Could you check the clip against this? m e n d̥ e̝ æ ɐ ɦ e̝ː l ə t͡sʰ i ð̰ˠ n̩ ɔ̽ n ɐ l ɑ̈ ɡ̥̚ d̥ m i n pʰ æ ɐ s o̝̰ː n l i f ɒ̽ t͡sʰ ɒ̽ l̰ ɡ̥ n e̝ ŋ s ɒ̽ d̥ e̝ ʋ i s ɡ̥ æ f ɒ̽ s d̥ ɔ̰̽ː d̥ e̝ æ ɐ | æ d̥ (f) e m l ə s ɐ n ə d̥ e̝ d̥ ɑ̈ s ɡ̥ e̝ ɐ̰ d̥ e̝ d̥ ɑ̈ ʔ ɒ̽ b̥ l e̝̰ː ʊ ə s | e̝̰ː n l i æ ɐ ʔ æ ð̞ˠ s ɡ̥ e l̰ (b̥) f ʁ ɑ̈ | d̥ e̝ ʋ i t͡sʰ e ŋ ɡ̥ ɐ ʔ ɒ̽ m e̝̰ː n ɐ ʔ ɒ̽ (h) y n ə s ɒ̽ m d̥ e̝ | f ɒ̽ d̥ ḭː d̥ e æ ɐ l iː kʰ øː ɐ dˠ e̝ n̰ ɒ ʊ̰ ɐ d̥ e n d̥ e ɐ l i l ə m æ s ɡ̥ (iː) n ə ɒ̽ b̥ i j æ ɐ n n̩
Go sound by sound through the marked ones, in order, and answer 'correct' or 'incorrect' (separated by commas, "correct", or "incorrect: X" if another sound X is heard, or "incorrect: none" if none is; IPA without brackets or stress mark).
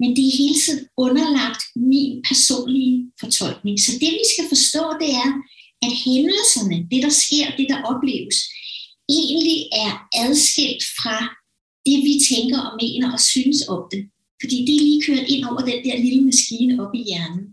incorrect: h, incorrect: d̥, incorrect: s, correct